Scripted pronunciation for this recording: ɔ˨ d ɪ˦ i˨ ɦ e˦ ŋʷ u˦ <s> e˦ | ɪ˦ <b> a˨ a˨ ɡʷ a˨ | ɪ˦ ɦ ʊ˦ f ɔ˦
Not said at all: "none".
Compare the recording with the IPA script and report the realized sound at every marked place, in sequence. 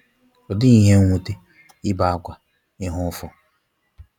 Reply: t, b

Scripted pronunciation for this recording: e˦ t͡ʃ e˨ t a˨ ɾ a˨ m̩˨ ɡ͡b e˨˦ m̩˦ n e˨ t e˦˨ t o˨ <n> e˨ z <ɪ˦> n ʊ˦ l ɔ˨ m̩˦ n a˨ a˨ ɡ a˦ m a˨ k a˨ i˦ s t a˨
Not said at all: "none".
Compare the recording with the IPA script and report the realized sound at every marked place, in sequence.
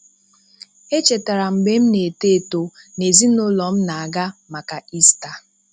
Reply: n, i˦

